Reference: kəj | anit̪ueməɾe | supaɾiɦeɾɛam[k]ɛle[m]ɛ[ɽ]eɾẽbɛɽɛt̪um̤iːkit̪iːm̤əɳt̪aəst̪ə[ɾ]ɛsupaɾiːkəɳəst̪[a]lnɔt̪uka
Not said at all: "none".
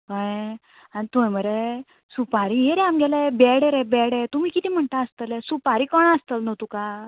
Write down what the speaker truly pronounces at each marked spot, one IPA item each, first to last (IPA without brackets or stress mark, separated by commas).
ɡ, b, ɽ, l, ə